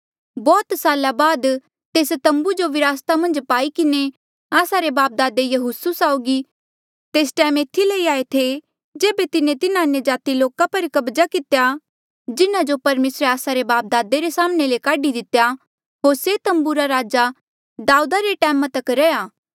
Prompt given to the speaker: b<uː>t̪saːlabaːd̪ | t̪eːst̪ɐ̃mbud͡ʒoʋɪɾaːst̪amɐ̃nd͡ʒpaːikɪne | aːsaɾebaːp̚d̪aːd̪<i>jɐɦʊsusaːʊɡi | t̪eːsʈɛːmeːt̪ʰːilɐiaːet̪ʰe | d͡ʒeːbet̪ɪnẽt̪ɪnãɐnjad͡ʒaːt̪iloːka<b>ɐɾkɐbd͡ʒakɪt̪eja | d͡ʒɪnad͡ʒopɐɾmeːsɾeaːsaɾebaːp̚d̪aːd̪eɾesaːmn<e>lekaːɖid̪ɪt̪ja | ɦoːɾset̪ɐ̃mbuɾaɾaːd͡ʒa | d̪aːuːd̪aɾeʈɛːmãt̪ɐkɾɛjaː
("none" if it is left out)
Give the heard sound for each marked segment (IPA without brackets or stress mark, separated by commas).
ɔː, e, p, e